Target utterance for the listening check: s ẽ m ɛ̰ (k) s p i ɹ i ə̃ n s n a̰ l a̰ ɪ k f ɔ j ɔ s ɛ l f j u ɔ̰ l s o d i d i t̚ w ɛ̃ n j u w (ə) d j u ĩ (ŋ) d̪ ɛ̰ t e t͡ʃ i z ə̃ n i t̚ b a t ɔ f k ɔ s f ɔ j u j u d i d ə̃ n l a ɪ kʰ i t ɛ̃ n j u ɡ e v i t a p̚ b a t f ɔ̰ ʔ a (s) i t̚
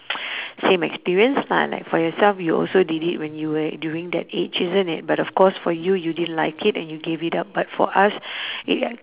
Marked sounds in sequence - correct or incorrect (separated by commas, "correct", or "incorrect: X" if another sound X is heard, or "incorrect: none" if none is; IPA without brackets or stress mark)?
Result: correct, correct, correct, correct